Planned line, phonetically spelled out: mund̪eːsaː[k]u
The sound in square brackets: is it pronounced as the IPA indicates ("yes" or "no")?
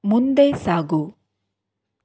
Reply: no